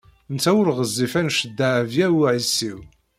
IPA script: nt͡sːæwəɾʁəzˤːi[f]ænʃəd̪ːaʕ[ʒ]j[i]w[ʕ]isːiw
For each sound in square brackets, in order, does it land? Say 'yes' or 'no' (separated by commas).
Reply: yes, no, no, yes